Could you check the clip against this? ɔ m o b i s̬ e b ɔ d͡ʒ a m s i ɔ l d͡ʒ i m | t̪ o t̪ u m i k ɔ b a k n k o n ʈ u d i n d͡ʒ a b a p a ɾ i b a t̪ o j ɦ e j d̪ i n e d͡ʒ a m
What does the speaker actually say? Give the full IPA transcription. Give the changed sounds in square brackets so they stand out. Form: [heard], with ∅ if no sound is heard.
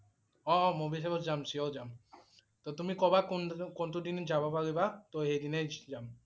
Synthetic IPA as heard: ɔ m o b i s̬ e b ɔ d͡ʒ a m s i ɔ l d͡ʒ [a] m | t̪ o t̪ u m i k ɔ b a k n k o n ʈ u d i n d͡ʒ a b a p a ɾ i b a t̪ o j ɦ e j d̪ i n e d͡ʒ a m